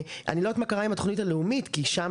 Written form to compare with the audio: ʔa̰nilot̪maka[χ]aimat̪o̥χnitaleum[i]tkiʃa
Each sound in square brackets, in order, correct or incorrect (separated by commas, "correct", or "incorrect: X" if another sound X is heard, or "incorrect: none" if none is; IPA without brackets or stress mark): incorrect: ʁ, correct